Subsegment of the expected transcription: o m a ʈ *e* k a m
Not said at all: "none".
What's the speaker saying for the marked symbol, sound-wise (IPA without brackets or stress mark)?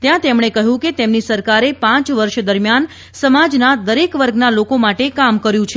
e